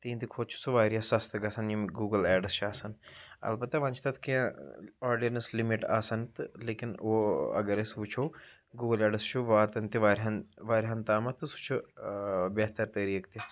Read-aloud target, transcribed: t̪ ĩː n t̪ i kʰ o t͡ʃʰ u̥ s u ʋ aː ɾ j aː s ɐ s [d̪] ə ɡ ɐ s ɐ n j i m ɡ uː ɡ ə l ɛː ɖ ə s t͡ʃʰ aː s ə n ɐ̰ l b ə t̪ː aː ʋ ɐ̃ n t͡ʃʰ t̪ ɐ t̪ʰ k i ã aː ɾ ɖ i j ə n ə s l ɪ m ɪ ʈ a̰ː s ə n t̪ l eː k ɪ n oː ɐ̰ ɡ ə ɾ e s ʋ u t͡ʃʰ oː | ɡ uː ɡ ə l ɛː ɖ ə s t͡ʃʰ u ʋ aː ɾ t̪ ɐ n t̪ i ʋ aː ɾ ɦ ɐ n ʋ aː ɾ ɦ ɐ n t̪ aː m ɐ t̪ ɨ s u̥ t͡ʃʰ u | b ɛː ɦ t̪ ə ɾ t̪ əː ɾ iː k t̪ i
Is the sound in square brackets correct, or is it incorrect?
incorrect